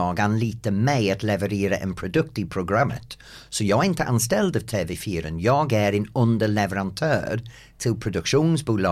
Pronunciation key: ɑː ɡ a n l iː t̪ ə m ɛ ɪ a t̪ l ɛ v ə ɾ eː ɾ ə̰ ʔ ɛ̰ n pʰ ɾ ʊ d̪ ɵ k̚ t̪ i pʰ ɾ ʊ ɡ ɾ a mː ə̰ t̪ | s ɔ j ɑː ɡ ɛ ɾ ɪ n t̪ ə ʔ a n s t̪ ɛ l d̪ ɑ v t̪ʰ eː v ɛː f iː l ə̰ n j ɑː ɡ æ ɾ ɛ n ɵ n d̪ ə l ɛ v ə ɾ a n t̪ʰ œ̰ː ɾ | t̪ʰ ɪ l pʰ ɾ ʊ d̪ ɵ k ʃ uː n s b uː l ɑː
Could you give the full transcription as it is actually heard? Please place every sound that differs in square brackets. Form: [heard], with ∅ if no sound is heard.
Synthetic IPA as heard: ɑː ɡ a n l iː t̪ ə m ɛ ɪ a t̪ l ɛ v ə ɾ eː ɾ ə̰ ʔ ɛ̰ n pʰ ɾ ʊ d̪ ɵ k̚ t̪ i pʰ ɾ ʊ ɡ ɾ a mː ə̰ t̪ | s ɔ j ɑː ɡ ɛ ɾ ɪ n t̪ ə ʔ a n s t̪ ɛ l d̪ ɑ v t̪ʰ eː v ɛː f iː [ɾ] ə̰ n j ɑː ɡ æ ɾ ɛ n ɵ n d̪ ə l ɛ v ə ɾ a n t̪ʰ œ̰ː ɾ | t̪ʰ ɪ l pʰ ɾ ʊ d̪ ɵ k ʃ uː n s b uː l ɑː